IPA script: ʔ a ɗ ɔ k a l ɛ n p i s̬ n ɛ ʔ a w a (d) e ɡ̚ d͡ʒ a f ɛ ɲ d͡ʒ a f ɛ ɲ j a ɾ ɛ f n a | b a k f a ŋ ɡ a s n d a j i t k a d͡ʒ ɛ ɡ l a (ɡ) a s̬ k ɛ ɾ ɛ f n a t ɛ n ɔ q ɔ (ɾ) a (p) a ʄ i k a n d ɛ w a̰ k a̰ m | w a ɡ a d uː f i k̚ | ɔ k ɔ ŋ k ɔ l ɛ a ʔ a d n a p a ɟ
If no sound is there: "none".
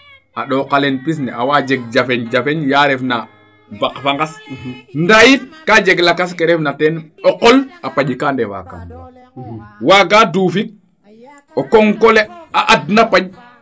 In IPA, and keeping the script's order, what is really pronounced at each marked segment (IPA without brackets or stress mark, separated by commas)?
d͡ʒ, k, l, p